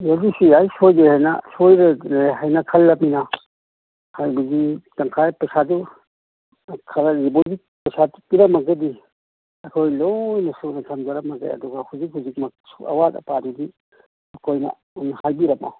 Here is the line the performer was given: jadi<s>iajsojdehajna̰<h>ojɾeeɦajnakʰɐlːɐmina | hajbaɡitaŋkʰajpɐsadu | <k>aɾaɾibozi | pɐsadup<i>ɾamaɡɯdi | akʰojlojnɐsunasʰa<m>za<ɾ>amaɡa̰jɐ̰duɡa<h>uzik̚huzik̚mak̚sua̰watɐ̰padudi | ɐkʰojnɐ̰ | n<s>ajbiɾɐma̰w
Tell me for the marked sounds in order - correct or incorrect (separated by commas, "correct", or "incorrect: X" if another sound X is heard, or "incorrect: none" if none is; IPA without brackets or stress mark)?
correct, incorrect: s, incorrect: kʰ, correct, correct, correct, correct, incorrect: h